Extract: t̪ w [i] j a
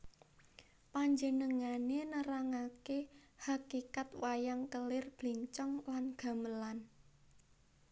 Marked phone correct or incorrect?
incorrect